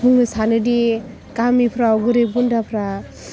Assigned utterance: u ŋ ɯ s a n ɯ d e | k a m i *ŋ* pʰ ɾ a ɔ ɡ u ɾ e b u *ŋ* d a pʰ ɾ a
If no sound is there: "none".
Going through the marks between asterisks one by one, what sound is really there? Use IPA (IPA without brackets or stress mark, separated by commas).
none, n